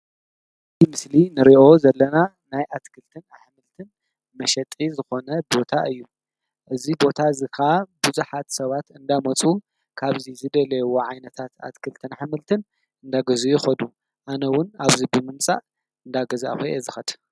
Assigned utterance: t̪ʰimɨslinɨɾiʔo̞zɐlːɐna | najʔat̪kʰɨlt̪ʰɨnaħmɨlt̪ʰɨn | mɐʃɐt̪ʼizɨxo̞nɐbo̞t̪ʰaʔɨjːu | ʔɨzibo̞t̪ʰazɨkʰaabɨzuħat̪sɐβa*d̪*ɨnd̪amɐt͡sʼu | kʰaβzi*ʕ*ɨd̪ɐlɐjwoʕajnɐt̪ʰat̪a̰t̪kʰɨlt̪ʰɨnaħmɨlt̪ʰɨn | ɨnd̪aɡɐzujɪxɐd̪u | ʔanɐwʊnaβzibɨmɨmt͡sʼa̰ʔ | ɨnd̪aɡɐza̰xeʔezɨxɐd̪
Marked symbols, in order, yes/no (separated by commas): no, no